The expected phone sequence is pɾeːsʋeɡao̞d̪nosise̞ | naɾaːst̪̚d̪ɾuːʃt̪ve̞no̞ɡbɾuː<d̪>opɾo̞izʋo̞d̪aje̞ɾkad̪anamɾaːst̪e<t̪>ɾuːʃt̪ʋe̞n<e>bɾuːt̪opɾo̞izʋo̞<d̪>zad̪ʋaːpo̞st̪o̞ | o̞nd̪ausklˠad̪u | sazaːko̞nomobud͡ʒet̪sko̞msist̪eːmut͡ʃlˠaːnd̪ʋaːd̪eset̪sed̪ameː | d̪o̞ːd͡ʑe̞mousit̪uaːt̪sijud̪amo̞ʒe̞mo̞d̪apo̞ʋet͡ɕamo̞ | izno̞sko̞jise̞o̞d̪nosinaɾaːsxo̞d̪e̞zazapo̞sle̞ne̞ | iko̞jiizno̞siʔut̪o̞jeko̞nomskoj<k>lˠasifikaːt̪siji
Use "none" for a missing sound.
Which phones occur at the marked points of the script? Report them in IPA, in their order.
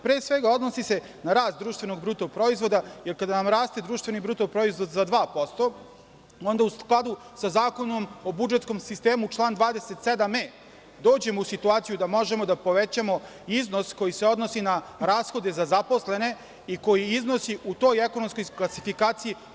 t̪, d̪, i, d̪, k

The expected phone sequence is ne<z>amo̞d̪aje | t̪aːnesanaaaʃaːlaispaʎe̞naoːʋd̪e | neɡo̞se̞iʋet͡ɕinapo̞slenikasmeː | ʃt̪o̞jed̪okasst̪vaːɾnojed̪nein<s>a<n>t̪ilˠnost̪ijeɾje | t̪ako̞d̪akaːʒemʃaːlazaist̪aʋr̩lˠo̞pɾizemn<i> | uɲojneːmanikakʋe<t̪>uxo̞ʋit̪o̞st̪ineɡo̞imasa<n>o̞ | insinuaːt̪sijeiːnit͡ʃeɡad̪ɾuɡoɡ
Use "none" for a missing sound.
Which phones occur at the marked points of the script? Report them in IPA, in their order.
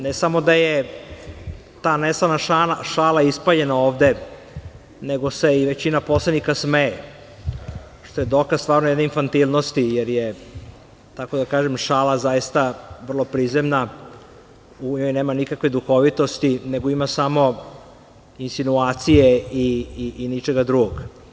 s, f, n, a, d̪, m

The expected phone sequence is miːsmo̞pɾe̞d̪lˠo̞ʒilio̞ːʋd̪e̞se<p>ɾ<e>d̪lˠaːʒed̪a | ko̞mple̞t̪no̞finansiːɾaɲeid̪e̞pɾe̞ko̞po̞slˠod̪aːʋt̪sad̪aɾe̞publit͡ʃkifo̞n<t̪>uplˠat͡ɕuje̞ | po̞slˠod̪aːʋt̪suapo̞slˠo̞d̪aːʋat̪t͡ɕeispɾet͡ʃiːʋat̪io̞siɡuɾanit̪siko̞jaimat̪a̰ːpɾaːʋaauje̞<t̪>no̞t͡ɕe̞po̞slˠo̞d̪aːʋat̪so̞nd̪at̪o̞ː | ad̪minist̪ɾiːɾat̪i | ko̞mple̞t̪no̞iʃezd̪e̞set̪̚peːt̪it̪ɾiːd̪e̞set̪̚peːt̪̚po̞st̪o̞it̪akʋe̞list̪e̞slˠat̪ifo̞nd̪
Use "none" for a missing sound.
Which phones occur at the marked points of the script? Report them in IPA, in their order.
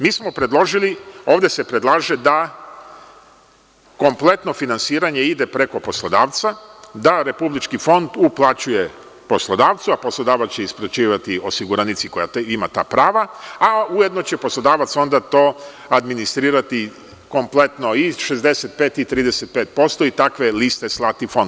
p, e, d̪, d̪

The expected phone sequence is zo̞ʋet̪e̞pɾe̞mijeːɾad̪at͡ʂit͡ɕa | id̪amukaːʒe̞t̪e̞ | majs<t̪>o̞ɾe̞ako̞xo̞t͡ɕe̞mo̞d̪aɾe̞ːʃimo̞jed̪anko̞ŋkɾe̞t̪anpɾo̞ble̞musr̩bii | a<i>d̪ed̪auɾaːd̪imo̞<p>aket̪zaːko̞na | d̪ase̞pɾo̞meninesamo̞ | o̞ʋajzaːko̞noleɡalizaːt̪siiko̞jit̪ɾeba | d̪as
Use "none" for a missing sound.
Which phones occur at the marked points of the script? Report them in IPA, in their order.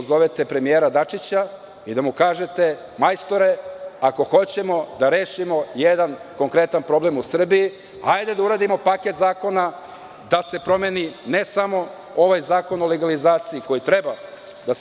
t̪, j, p

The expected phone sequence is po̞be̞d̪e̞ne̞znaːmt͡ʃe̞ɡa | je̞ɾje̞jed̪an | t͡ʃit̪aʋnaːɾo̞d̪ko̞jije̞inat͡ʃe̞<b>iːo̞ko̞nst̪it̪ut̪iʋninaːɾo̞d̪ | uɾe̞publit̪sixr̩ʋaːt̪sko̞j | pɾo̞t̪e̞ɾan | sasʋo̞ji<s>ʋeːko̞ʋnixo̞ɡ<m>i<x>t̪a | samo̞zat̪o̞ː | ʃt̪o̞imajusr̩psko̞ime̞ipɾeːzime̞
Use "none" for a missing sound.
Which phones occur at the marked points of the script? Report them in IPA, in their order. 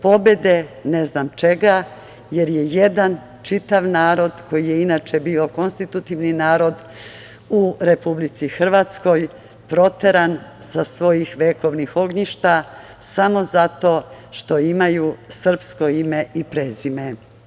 b, x, ɲ, ʃ

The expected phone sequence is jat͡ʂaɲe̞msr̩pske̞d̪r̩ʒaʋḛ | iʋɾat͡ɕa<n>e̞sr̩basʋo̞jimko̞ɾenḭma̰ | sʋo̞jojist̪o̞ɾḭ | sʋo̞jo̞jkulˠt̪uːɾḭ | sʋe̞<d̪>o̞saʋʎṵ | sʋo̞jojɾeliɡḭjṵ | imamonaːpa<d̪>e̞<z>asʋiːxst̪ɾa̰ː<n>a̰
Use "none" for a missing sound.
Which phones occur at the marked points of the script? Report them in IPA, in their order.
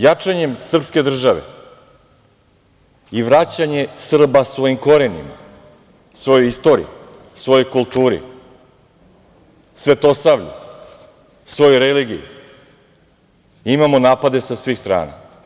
ɲ, t̪, d̪, s, n

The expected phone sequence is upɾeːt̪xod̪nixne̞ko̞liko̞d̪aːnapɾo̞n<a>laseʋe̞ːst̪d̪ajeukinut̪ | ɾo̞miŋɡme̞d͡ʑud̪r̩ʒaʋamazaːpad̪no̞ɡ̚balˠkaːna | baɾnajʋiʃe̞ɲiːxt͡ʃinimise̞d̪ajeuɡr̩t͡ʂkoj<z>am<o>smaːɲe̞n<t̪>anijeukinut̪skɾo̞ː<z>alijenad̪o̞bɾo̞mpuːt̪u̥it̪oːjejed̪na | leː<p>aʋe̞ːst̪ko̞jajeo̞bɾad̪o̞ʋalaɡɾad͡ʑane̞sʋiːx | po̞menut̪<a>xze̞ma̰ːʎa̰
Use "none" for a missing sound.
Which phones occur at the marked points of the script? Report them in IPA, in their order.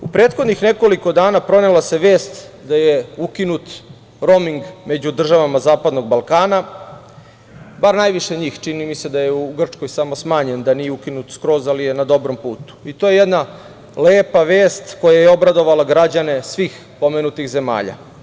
e, s, o, d̪, z, p, i

